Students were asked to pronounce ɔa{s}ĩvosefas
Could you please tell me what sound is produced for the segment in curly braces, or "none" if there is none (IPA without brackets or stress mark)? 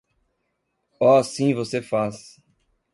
s